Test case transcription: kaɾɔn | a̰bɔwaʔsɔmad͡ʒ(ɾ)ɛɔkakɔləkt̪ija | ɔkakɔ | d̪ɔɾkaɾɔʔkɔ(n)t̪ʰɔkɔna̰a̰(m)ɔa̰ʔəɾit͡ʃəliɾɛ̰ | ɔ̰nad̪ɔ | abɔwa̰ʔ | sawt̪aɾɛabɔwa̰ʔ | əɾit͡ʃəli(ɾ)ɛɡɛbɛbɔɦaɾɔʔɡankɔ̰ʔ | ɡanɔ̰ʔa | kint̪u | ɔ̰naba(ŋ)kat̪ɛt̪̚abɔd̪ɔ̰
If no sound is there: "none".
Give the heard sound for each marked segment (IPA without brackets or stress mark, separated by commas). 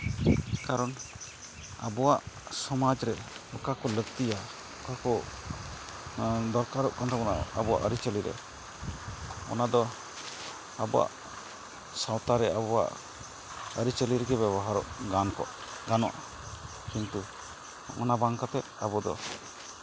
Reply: ɾ, n, b, ɾ, ŋ